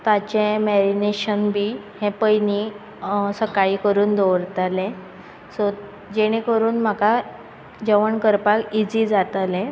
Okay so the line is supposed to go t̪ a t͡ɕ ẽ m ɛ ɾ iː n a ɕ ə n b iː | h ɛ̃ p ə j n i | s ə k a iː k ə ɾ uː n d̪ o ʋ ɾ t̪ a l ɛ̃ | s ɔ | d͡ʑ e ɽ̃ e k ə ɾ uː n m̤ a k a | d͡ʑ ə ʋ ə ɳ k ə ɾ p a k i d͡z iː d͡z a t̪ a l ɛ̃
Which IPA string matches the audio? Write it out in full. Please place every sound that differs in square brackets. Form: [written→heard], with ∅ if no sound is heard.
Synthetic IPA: t̪ a t͡ɕ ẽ m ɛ ɾ [iː→i] n [a→e] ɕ ə n b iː | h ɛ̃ p ə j n i | s ə k a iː k ə ɾ uː n d̪ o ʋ ɾ t̪ a l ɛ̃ | s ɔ | d͡ʑ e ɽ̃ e k ə ɾ uː n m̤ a k a | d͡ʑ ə ʋ ə ɳ k ə ɾ p a k i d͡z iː d͡z a t̪ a l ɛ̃